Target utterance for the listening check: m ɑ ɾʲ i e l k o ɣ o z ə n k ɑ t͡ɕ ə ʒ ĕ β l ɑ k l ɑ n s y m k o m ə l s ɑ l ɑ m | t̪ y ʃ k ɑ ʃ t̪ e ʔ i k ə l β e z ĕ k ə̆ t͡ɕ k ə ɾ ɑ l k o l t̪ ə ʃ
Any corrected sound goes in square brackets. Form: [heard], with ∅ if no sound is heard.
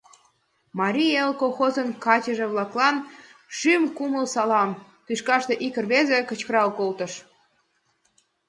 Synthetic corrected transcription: m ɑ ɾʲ i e l k o [x] o z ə n k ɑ t͡ɕ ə ʒ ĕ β l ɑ k l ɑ n [ʃ] y m k [u] m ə l s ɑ l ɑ m | t̪ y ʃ k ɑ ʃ t̪ e ʔ i k ə [r] β e z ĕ k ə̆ t͡ɕ k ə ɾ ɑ l k o l t̪ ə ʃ